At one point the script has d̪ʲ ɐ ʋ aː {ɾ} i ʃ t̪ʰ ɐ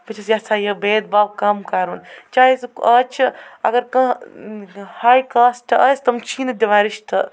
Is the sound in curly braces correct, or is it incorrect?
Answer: correct